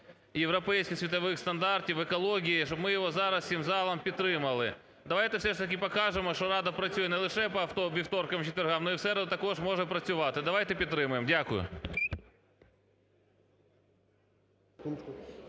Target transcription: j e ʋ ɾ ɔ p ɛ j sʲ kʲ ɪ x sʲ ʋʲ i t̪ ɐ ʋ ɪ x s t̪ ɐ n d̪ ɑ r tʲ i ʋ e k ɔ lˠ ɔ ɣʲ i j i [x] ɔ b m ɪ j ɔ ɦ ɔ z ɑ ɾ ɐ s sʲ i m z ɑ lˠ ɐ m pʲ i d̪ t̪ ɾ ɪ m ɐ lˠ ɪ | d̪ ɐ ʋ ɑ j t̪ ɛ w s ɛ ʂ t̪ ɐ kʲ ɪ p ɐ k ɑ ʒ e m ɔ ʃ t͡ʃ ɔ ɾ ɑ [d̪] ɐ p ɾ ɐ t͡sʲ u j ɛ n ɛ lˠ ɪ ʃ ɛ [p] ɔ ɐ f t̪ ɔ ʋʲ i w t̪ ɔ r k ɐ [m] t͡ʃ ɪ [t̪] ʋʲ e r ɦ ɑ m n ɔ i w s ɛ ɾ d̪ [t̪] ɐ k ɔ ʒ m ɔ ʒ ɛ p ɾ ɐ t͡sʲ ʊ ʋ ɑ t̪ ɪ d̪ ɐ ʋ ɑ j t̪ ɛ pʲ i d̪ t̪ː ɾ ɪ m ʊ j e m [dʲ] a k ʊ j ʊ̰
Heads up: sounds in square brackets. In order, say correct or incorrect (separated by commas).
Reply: incorrect, correct, correct, correct, correct, correct, correct